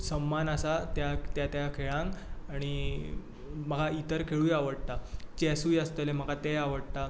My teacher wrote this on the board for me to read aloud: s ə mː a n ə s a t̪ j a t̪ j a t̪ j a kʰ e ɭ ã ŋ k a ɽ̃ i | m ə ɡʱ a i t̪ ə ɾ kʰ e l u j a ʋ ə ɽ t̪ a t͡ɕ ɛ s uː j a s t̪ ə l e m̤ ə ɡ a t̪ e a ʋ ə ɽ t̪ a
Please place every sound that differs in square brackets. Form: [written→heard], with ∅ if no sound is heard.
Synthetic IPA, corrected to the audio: s ə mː a n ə s a t̪ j a t̪ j a t̪ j a kʰ e ɭ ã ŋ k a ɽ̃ i | m ə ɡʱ a i t̪ ə ɾ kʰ e [l→ɭ] u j a ʋ ə ɽ t̪ a t͡ɕ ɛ s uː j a s t̪ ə l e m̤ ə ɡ a t̪ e a ʋ ə ɽ t̪ a

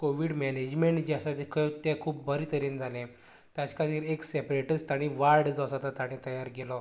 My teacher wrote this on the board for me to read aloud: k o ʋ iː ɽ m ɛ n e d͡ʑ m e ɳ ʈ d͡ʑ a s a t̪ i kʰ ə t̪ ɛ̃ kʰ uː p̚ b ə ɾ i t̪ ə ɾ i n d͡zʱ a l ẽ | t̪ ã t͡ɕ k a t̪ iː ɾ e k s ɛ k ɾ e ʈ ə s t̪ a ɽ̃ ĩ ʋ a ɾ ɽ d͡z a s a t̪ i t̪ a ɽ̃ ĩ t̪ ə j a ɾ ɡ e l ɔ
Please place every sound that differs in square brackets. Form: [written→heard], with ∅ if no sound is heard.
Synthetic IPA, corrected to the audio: k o ʋ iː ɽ m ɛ n e d͡ʑ m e ɳ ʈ d͡ʑ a s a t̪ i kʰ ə t̪ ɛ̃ kʰ uː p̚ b ə ɾ i t̪ ə ɾ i n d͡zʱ a l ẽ | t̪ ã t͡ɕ k a t̪ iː ɾ e k s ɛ [k→p] ɾ e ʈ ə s t̪ a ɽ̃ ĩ ʋ a ɾ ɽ d͡z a s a t̪ [i→a] t̪ a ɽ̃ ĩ t̪ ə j a ɾ ɡ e l ɔ

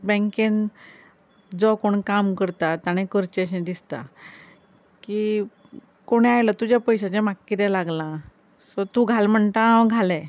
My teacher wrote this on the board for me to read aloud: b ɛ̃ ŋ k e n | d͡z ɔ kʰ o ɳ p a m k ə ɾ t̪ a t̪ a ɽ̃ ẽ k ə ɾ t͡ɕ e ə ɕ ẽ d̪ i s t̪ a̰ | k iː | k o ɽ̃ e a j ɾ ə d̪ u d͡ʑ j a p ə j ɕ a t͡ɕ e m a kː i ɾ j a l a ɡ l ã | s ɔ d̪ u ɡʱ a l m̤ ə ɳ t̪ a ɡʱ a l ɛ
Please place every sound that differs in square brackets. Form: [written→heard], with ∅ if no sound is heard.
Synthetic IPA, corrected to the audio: b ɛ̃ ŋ k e n | d͡z ɔ [kʰ→k] o ɳ [p→k] a m k ə ɾ t̪ a t̪ a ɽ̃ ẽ k ə ɾ t͡ɕ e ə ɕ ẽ d̪ i s t̪ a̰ | k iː | k o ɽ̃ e a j [ɾ→l] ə [d̪→t̪] u d͡ʑ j a p ə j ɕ a t͡ɕ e m a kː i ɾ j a l a ɡ l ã | s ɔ [d̪→t̪] u ɡʱ a l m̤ ə ɳ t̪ a ɡʱ a l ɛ

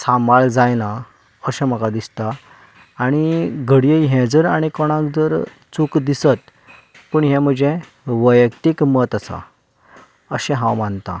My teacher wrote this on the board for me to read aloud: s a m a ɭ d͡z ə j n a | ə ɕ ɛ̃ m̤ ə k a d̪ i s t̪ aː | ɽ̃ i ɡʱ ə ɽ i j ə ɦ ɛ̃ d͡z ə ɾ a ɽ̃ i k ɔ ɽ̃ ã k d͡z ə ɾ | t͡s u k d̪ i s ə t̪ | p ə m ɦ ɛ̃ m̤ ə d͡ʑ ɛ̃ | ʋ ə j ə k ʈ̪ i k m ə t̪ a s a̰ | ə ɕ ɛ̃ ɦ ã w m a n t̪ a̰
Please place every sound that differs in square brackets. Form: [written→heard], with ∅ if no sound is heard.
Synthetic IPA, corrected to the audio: s a m a ɭ d͡z [ə→a] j n a | ə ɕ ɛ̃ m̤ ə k a d̪ i s t̪ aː | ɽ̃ i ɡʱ ə ɽ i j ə ɦ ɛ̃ d͡z ə ɾ a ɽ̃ i k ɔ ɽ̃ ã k d͡z ə ɾ | t͡s u k d̪ i s ə t̪ | p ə [m→ɳ] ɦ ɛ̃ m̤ ə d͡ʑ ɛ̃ | ʋ ə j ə k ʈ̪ i k m ə t̪ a s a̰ | ə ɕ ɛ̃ ɦ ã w m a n t̪ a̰

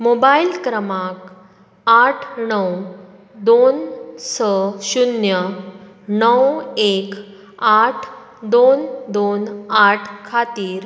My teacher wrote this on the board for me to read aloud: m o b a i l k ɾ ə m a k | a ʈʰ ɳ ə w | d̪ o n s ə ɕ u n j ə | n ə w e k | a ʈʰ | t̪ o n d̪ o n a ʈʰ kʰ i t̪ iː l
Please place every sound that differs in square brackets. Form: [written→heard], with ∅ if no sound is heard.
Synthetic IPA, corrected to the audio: m o b a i l k ɾ ə m a k | a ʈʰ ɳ ə w | d̪ o n s ə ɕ u n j ə | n ə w e k | a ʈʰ | [t̪→d̪] o n d̪ o n a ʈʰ kʰ [i→a] t̪ iː [l→ɾ]

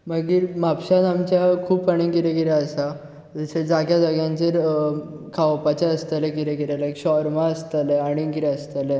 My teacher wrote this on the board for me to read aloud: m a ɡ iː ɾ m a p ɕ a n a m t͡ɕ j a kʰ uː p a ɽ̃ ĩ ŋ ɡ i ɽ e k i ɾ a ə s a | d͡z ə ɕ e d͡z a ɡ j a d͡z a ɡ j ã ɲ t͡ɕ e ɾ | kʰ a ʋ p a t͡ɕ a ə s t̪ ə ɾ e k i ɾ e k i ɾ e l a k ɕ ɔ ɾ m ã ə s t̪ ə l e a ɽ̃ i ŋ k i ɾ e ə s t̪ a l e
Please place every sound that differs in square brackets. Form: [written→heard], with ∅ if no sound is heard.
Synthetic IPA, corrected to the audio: m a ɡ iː ɾ m a p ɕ a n a m t͡ɕ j a kʰ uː p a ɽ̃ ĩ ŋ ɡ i [ɽ→ɾ] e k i ɾ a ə s a | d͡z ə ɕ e d͡z a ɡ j a d͡z a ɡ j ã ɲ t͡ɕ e ɾ | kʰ a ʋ p a t͡ɕ a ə s t̪ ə [ɾ→l] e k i ɾ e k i ɾ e l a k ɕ ɔ ɾ m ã ə s t̪ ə l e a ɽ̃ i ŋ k i ɾ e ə s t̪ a l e

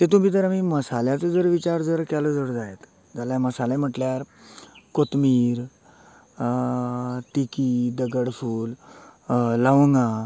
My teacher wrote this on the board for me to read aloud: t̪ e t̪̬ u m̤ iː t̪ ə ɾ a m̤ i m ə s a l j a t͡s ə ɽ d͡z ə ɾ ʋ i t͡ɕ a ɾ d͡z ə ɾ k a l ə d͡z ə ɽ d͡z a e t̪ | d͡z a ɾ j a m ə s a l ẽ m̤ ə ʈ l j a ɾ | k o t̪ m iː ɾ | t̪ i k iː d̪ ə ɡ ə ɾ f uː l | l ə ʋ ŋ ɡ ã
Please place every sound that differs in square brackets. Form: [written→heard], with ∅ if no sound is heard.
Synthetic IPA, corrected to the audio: t̪ e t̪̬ u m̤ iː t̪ ə ɾ a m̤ i m ə s a l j a t͡s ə [ɽ→∅] d͡z ə ɾ ʋ i t͡ɕ a ɾ d͡z ə ɾ k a l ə d͡z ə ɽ d͡z a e t̪ | d͡z a [ɾ→l] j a m ə s a l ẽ m̤ ə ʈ l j a ɾ | k o t̪ m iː ɾ | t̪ i k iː d̪ ə ɡ ə [ɾ→ɽ] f uː l | l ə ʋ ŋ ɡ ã

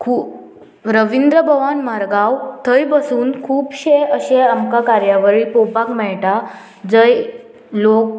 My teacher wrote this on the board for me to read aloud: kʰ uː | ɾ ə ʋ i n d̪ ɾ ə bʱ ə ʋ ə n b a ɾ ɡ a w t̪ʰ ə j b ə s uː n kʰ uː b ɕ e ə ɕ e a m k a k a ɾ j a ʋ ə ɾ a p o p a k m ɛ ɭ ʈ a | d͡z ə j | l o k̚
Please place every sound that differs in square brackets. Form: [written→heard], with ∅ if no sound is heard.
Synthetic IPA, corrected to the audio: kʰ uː | ɾ ə ʋ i n d̪ ɾ ə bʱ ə ʋ [ə→a] n [b→m] a ɾ ɡ a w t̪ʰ ə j b ə s uː n kʰ uː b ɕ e ə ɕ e a m k a k a ɾ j a ʋ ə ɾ [a→i] p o p a k m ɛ ɭ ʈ a | d͡z ə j | l o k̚

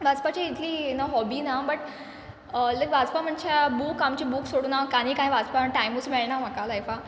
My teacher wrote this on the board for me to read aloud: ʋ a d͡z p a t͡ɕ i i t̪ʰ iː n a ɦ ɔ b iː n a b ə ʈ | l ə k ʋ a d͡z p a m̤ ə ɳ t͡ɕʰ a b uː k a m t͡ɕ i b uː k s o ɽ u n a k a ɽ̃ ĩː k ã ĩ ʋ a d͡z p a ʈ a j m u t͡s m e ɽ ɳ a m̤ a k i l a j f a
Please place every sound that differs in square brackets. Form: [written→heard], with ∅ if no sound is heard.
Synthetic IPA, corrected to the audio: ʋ a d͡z p a t͡ɕ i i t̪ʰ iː n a ɦ ɔ b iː n a b ə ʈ | l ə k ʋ a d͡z p a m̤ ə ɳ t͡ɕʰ a b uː k a m t͡ɕ i b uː k s o ɽ u n a k a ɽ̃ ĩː k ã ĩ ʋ a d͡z p a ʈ a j m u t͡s m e [ɽ→ɭ] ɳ a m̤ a k [i→a] l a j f a

